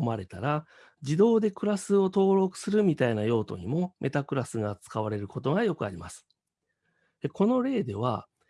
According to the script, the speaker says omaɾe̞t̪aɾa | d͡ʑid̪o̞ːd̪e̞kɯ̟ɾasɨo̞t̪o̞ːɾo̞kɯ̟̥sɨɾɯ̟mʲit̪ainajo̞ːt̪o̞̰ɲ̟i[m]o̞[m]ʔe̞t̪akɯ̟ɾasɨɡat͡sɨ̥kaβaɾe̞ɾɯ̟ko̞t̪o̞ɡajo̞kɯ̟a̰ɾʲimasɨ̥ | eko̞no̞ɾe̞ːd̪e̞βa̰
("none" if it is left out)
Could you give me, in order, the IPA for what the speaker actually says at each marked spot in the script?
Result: m, m

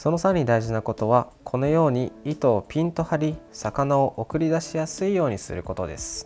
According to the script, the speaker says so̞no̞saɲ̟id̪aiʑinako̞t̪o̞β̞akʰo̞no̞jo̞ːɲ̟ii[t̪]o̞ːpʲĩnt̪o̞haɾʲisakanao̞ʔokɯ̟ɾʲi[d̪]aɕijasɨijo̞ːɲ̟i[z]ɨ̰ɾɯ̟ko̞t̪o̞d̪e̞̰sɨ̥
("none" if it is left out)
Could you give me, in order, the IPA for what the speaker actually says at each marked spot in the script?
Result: t̪, d̪, s

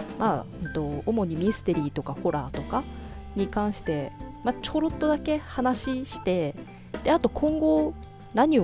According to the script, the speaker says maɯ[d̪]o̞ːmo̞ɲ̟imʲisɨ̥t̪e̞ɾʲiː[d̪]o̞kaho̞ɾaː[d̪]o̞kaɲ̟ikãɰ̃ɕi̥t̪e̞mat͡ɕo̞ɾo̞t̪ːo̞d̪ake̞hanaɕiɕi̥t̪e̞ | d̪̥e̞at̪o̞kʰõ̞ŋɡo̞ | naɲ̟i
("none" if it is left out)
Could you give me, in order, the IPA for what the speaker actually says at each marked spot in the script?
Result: t̪, t̪, t̪

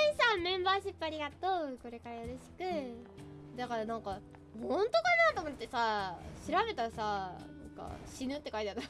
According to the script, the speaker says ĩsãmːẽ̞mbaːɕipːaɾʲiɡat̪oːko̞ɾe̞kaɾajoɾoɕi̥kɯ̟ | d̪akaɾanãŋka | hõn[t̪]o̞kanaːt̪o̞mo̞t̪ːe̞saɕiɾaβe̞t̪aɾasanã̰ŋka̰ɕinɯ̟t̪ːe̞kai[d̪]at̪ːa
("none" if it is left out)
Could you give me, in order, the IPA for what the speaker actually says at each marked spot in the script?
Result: t̪, t̪

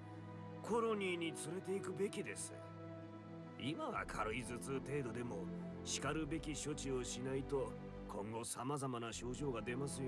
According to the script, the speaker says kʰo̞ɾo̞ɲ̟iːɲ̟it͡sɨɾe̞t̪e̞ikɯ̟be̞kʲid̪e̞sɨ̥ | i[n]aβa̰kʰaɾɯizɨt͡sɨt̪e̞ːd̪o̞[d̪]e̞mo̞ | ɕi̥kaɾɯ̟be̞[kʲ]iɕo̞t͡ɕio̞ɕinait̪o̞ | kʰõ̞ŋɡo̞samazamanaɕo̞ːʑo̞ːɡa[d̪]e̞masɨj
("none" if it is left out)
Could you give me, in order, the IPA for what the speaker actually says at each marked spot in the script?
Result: m, d̪, kʲ, d̪

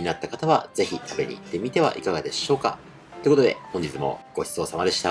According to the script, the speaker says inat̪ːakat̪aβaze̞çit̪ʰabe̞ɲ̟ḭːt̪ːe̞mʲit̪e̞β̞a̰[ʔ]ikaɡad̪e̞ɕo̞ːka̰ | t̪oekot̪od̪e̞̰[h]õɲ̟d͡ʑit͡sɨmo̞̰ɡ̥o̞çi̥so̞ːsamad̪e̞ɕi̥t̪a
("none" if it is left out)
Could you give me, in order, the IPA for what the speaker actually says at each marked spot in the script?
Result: ʔ, h

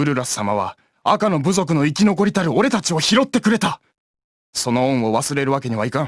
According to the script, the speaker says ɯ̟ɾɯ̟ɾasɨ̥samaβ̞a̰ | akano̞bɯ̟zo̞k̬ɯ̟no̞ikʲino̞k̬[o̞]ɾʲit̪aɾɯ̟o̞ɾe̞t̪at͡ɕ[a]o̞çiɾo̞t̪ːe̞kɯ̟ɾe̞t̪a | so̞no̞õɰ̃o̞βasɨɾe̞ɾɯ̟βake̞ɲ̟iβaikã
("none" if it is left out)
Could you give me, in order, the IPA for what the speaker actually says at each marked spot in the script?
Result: o̞, i

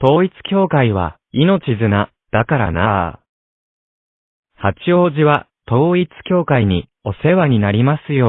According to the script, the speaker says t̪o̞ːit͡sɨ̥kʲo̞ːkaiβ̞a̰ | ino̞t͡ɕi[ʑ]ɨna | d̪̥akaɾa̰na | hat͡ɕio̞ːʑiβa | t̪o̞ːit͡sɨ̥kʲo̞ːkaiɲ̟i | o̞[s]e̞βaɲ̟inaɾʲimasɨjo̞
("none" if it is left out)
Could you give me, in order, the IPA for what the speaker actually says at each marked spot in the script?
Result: z, s

